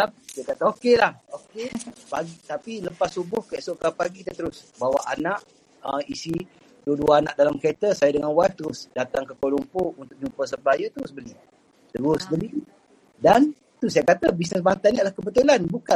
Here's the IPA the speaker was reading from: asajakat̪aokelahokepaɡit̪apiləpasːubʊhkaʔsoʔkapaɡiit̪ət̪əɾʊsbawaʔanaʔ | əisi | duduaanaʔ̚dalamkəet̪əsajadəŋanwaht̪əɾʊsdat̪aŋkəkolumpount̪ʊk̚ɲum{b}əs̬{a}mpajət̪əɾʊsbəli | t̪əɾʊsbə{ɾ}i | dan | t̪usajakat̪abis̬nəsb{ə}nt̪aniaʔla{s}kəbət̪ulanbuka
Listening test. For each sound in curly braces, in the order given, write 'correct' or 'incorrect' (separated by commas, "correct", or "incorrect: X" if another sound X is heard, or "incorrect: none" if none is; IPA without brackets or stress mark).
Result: incorrect: p, incorrect: ə, incorrect: l, incorrect: a, incorrect: h